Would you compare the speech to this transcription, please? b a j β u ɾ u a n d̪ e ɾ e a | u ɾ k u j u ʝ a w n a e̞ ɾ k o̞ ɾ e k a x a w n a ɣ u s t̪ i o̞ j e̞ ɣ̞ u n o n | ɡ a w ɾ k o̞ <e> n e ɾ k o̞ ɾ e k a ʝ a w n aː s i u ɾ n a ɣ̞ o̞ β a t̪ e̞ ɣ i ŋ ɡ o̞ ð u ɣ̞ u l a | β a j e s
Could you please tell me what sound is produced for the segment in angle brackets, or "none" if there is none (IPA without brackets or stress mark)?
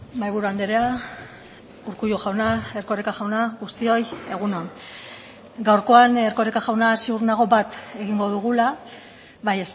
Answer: a